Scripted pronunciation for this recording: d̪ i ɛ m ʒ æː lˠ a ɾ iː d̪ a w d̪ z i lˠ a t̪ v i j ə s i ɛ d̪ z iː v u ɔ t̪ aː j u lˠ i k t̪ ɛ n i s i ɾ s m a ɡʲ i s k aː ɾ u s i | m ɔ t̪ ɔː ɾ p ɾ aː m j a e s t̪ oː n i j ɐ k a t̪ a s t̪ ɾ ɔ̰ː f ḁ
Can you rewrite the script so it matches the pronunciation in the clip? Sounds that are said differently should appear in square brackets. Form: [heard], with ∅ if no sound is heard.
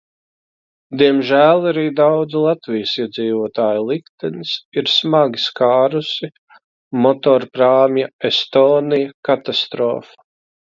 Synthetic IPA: d̪ i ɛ m ʒ æː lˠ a ɾ iː d̪ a w d̪ z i lˠ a t̪ v i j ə s i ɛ d̪ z iː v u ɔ t̪ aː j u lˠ i k t̪ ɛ n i s i ɾ s m a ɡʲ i s k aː ɾ u s i | m ɔ t̪ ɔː ɾ p ɾ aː m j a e s t̪ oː n i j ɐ k a t̪ a s t̪ ɾ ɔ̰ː f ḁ